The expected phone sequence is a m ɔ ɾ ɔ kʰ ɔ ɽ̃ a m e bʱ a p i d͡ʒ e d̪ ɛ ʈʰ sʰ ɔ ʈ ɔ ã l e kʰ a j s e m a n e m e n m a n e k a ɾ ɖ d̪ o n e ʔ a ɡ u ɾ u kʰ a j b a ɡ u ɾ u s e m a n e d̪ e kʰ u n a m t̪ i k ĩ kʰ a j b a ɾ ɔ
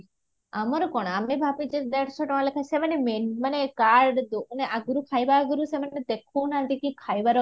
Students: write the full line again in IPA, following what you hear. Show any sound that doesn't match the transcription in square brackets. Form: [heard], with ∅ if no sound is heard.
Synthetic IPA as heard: a m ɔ ɾ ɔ [k] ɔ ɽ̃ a m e bʱ a p i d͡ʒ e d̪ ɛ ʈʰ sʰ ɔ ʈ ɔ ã l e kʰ a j s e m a n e m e n m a n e k a ɾ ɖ d̪ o n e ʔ a ɡ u ɾ u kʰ a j b a ɡ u ɾ u s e m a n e d̪ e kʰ u n a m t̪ i k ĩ kʰ a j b a ɾ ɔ